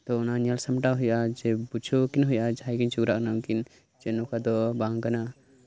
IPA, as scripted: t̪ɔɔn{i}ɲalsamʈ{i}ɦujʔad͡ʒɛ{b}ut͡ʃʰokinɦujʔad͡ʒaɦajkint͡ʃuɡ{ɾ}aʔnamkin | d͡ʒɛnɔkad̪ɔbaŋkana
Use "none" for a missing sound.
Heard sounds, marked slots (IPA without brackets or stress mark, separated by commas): a, a, b, ɾ